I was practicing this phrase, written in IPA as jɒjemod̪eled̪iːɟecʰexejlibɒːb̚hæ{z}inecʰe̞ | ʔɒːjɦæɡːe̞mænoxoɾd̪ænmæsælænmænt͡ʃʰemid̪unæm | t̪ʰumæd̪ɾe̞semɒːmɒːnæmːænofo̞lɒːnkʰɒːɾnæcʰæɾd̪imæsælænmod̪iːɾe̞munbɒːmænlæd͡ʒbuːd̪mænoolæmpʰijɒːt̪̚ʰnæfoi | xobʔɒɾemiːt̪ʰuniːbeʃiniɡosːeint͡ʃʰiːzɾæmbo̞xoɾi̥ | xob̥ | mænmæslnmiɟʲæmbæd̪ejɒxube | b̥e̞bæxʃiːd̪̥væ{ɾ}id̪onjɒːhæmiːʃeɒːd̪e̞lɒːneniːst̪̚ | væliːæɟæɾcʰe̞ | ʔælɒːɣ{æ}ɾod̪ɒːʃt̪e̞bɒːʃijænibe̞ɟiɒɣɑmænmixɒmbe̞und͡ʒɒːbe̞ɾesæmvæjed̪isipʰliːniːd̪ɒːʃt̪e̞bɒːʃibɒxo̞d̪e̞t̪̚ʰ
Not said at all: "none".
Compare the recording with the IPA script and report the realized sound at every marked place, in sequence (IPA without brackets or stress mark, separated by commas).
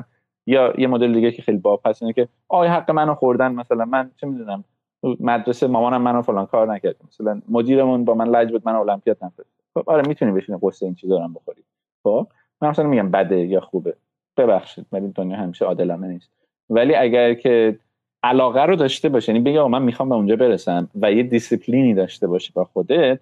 s, l, æ